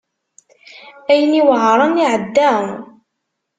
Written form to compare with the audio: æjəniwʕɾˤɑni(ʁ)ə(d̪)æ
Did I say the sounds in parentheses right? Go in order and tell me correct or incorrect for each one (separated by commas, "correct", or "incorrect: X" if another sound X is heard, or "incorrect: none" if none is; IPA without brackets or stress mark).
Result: incorrect: ʕ, incorrect: d̪ː